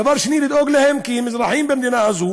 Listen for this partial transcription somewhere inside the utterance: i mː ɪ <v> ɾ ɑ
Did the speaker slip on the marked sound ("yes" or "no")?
yes